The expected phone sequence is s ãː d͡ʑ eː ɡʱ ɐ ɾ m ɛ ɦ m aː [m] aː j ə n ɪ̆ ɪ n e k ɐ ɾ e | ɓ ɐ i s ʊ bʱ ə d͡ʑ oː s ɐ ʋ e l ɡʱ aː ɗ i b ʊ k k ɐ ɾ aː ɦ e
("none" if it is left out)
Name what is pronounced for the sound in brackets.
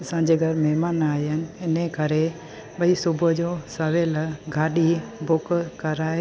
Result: n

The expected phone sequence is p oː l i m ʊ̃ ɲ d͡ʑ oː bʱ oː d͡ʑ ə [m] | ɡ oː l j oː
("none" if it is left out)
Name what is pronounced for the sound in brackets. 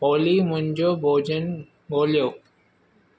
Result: n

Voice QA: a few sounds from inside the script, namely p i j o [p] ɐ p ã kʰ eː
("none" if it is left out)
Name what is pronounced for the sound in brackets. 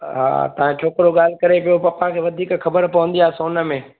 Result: p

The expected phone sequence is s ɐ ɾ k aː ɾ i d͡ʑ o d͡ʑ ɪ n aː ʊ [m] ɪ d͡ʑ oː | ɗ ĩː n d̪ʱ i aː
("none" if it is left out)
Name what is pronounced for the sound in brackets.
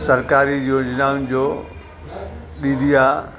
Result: n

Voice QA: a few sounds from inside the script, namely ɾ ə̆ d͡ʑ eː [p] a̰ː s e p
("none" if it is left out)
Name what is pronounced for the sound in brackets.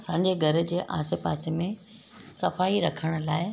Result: ʔ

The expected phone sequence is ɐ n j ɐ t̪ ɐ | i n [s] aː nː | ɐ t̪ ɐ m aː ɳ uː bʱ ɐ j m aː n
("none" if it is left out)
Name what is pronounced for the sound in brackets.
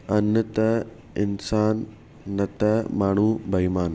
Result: s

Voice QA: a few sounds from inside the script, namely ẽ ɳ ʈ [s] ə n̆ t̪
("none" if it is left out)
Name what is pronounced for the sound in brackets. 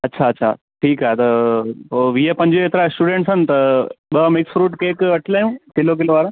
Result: s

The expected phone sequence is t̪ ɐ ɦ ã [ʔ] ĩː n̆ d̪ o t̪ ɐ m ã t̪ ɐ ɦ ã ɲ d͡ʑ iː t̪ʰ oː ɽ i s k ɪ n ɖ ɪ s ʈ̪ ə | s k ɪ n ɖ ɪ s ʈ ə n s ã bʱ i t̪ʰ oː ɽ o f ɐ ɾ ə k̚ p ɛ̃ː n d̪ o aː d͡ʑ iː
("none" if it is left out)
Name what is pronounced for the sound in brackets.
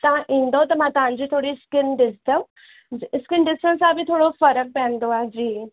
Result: ʔ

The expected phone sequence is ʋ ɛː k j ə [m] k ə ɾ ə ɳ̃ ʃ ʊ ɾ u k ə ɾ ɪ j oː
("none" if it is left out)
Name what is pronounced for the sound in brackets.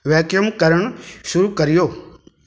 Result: m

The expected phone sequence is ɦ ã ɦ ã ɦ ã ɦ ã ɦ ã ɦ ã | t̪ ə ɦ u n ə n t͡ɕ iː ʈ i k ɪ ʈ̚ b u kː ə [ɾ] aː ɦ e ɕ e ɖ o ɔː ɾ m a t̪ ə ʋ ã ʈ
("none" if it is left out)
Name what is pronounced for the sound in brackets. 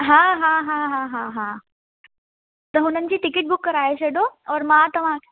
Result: ɾ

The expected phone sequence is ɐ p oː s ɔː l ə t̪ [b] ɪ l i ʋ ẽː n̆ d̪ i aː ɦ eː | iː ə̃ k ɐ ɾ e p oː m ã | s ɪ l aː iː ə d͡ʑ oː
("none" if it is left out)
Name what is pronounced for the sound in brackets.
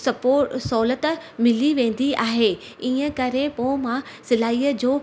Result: m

